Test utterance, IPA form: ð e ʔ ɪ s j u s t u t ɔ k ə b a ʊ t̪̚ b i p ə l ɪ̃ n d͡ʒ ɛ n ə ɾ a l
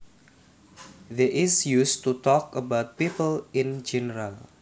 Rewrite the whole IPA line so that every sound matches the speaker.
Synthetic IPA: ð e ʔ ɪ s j u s t u t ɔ k ə b a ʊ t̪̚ p i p ə l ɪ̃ n d͡ʒ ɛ n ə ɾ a l

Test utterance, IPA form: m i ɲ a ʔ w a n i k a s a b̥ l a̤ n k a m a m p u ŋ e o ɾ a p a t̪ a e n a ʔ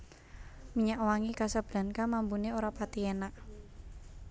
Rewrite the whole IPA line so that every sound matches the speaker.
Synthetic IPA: m i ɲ a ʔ w a ŋ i k a s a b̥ l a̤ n k a m a m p u n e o ɾ a p a t̪ i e n a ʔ

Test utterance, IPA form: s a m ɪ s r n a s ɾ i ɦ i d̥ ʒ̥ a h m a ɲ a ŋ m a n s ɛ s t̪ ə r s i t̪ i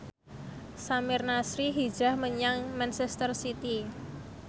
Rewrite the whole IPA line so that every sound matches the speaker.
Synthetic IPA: s a m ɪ r n a s ɾ i ɦ i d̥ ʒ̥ a h m ə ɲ a ŋ m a n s ɛ s t̪ ə r s i t̪ i

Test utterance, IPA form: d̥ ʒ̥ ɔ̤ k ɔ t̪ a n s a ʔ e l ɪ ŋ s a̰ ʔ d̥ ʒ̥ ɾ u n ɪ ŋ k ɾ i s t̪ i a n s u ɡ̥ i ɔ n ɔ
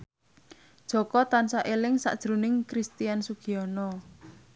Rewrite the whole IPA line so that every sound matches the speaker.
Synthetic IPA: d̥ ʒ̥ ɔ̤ k ɔ t̪ a n s a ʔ e l ɪ ŋ s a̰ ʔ d̥ ʒ̥ ɾ u n ɪ ŋ k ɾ i s t̪ i a n s u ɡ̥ i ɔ n ɔ

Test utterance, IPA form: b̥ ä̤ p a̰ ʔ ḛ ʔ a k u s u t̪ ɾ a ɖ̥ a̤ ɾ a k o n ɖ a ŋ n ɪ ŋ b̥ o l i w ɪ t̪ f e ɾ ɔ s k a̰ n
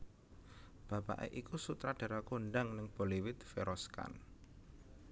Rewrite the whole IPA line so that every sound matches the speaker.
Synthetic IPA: b̥ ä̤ p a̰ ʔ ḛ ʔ i k u s u t̪ ɾ a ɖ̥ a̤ ɾ a k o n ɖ a ŋ n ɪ ŋ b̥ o l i w ɪ t̪ f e ɾ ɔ s k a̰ n

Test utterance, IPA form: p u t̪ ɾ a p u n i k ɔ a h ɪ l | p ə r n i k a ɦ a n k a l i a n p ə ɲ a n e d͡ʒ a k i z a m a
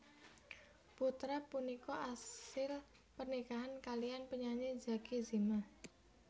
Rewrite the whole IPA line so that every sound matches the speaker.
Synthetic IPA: p u t̪ ɾ a p u n i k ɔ a s ɪ l | p ə r n i k a ɦ a n k a l i a n p ə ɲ a ɲ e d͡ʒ a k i z i m a

